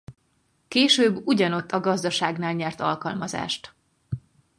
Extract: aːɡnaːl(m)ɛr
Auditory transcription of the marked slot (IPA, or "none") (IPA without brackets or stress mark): ɲ